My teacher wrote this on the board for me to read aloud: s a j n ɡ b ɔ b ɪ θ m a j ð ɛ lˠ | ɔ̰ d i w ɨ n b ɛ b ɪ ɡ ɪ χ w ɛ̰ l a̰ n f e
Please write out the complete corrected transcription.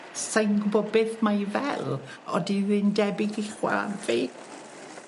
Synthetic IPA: s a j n ɡ b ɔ b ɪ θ m a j v ɛ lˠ | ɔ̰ d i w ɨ n d ɛ b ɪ ɡ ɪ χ w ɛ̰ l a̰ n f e